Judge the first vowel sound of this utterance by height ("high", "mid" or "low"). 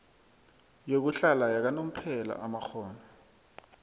mid